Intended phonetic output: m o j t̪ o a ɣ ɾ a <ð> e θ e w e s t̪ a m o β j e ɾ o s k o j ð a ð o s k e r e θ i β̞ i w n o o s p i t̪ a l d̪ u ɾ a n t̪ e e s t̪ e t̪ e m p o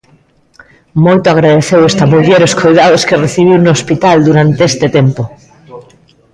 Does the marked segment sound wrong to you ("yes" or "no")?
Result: no